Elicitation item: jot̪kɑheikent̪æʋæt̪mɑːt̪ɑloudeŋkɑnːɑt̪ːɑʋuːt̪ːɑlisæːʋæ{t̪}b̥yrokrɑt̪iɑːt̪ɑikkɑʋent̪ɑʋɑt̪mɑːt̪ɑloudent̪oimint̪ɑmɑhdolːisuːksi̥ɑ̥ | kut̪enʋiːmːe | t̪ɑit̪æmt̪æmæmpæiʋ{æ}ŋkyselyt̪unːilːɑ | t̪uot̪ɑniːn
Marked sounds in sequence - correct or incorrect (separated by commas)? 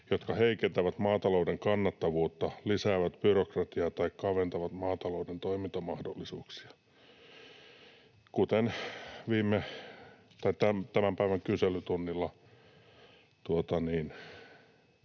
correct, correct